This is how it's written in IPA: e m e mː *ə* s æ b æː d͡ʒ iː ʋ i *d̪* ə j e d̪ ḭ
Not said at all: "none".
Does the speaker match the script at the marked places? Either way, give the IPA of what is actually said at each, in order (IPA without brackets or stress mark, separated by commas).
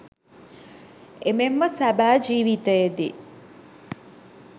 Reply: ə, t̪